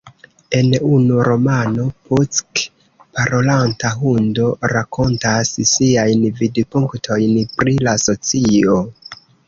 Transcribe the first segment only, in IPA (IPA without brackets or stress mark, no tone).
e̞